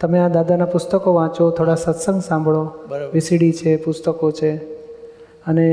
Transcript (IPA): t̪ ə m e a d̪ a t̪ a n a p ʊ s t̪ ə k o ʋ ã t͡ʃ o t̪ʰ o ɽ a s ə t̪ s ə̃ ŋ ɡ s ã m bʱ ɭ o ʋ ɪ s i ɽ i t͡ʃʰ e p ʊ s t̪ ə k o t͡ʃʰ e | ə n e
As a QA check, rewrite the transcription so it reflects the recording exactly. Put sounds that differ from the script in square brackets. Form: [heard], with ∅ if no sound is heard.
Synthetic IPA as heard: t̪ ə m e a d̪ a [d̪] a n a p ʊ s t̪ ə k o ʋ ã t͡ʃ o t̪ʰ o ɽ a s ə t̪ s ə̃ ŋ ɡ s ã m bʱ ɭ o ʋ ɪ s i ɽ i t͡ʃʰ e p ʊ s t̪ ə k o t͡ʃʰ e | ə n e